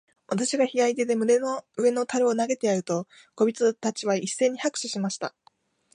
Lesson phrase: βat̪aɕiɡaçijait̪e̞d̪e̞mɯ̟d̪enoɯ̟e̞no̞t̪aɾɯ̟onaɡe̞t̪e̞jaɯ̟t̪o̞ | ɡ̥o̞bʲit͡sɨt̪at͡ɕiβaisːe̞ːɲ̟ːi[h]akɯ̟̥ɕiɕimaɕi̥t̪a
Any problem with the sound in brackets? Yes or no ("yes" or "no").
no